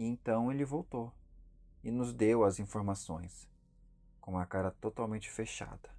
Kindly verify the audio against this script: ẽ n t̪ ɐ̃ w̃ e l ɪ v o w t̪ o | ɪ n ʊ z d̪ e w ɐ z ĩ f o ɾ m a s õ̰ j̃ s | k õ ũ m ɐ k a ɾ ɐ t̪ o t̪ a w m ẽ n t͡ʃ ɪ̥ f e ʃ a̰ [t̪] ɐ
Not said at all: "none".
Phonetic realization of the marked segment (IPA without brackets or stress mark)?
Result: d̪